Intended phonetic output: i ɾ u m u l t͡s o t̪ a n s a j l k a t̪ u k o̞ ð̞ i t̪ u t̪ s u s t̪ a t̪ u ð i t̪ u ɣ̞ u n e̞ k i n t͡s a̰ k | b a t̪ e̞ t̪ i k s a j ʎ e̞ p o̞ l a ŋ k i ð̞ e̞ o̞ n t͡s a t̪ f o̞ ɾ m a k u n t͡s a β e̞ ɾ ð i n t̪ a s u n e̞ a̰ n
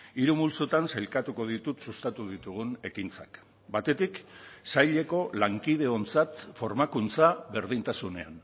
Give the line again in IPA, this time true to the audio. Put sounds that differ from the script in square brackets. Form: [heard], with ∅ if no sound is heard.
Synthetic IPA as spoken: i ɾ u m u l t͡s o t̪ a n s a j l k a t̪ u k o̞ ð̞ i t̪ u t̪ s u s t̪ a t̪ u ð i t̪ u ɣ̞ u n e̞ k i n t͡s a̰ k | b a t̪ e̞ t̪ i k s a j ʎ e̞ [k] o̞ l a ŋ k i ð̞ e̞ o̞ n t͡s a t̪ f o̞ ɾ m a k u n t͡s a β e̞ ɾ ð i n t̪ a s u n e̞ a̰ n